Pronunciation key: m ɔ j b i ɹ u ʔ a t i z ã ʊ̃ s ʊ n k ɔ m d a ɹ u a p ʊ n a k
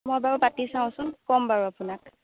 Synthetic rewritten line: m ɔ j b a ɹ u p a t i s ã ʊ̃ s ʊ n k ɔ m b a ɹ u a p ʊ n a k